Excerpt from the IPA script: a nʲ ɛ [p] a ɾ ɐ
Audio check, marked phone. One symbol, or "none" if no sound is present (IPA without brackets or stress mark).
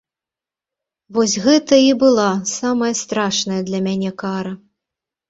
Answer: k